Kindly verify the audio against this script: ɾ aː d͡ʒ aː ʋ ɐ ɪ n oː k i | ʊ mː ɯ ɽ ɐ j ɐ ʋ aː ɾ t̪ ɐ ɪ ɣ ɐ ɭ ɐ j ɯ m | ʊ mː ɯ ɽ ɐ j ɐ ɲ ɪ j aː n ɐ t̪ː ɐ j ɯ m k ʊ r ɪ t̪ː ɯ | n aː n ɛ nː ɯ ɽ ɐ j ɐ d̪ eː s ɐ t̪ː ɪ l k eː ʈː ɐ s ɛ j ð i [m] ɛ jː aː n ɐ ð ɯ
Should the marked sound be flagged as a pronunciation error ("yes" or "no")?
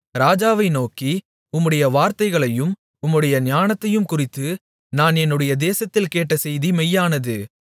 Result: no